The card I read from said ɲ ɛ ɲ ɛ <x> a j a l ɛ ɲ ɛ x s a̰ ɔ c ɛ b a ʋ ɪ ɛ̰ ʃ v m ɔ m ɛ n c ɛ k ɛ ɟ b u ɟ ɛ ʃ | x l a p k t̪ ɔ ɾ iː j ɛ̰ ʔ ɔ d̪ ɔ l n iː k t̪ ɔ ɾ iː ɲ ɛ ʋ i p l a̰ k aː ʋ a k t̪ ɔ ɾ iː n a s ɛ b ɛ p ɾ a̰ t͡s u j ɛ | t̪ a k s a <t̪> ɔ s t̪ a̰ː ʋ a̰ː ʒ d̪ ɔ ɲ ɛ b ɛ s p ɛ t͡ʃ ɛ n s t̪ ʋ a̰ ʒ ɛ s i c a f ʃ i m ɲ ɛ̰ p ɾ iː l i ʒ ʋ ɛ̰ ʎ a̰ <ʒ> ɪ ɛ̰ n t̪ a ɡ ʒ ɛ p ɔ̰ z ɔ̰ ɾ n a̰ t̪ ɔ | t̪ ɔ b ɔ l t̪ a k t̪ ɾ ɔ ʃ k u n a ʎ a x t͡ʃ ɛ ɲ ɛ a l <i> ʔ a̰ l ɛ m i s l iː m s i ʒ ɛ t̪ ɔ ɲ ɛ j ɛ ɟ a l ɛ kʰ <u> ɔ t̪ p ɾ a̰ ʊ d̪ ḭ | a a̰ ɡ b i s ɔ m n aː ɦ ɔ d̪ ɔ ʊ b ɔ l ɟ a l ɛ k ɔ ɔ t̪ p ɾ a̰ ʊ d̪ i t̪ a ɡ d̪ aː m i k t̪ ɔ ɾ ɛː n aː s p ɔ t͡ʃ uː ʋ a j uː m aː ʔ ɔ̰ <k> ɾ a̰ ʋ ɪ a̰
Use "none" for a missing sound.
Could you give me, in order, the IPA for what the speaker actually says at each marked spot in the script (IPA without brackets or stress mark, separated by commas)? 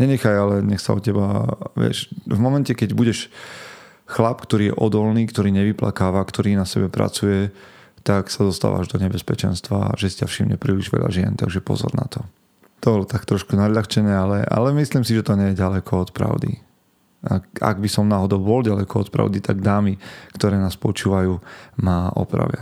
x, d̪, ʒ, ɛ, ɔ, p